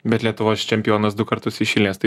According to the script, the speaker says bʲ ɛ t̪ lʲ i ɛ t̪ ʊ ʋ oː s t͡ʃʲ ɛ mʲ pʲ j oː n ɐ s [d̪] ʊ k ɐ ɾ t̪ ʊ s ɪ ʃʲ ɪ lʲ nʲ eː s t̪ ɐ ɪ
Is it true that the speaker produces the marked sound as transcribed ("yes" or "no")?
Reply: yes